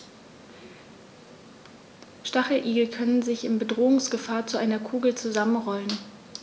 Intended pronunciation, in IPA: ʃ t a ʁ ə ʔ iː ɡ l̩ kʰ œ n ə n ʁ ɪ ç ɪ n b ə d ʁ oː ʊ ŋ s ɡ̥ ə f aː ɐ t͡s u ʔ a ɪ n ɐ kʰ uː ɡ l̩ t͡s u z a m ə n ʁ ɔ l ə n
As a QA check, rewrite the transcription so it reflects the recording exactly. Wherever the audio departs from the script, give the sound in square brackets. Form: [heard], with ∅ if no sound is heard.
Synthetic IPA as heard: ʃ t a [χ] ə ʔ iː ɡ l̩ kʰ œ n ə n [z] ɪ ç ɪ n b ə d ʁ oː ʊ ŋ s ɡ̥ ə f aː ɐ t͡s u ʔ a ɪ n ɐ kʰ uː ɡ l̩ t͡s u z a m ə n ʁ ɔ l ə n